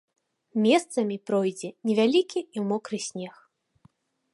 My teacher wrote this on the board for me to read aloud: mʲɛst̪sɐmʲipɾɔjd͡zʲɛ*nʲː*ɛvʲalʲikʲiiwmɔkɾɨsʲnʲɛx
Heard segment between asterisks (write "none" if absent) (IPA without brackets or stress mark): nʲ